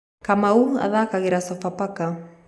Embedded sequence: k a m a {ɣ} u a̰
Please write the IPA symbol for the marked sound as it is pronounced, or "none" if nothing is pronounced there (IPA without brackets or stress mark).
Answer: none